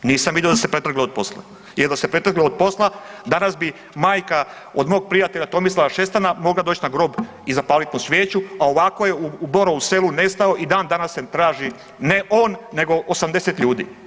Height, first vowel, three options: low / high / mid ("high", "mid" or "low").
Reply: high